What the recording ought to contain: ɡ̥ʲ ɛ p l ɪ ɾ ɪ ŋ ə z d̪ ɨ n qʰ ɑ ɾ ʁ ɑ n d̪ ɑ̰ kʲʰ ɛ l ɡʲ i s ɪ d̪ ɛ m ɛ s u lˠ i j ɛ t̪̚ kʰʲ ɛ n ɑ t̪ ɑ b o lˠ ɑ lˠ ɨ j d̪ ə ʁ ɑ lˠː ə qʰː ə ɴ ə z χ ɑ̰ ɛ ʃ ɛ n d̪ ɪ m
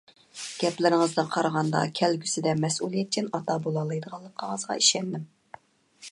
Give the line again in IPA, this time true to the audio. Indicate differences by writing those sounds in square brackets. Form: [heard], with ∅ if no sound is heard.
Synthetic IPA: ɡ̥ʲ ɛ p l ɪ ɾ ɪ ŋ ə z d̪ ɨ n qʰ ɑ ɾ ʁ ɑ n d̪ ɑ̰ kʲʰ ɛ l ɡʲ [y] s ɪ d̪ ɛ m ɛ s u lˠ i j ɛ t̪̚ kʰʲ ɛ n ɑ t̪ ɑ b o lˠ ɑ lˠ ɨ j d̪ ə ʁ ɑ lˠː ə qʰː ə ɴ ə z [ʁ] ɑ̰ [i] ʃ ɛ n d̪ ɪ m